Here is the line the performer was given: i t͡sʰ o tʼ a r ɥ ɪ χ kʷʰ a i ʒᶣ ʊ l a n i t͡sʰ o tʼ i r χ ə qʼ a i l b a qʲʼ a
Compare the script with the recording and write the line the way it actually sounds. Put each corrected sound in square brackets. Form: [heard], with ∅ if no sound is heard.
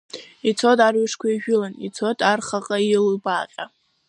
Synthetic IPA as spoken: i t͡sʰ o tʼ a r ɥ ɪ [ʂ] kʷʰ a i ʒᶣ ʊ l a n i t͡sʰ o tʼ [a] r χ [a] qʼ a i l b a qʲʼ a